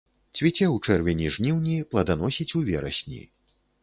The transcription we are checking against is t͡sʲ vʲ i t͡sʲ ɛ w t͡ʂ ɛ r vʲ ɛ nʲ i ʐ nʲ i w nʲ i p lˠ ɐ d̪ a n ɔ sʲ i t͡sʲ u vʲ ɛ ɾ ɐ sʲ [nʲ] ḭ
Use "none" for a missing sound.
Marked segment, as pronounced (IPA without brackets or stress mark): nʲ